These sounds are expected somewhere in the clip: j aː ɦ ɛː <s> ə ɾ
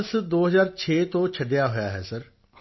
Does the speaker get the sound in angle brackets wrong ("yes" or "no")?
no